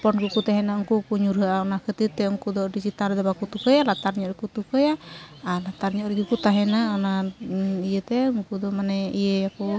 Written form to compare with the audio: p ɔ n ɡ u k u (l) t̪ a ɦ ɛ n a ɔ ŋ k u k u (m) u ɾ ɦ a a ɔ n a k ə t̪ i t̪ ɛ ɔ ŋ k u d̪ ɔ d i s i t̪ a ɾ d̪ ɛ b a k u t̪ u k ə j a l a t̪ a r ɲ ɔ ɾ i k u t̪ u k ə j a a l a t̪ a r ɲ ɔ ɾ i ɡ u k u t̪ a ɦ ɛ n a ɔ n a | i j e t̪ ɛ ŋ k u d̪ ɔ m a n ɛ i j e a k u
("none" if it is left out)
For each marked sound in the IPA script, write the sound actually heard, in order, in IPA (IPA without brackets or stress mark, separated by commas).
none, ɲ